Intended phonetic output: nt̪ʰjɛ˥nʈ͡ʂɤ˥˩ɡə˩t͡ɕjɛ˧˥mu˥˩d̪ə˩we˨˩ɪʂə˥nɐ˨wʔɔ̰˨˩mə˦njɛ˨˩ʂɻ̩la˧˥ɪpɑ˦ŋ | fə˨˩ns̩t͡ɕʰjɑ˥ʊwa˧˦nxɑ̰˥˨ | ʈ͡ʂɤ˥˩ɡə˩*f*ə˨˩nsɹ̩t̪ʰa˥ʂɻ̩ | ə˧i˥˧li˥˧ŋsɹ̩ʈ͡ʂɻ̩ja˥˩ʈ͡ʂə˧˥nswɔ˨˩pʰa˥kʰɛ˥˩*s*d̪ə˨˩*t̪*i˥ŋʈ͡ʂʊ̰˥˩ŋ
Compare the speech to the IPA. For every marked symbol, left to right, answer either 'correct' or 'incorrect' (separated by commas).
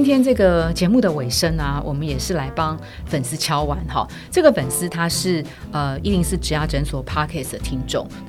correct, correct, incorrect